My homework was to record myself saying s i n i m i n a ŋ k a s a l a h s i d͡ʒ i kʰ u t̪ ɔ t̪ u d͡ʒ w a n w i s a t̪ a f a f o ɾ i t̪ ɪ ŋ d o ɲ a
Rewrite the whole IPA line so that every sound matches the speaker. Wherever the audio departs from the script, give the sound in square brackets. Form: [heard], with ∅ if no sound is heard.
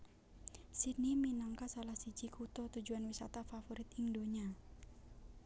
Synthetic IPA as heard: s i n i m i n a ŋ k a s a l a h s i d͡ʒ i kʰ u t̪ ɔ t̪ u d͡ʒ [u] a n w i s a t̪ a f a f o ɾ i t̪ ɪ ŋ d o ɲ a